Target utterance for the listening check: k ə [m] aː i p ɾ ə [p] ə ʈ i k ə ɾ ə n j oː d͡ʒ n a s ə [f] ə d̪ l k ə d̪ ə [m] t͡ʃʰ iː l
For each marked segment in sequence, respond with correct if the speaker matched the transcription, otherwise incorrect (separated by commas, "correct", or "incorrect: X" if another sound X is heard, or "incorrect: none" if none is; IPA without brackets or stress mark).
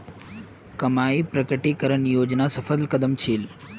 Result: correct, incorrect: k, correct, correct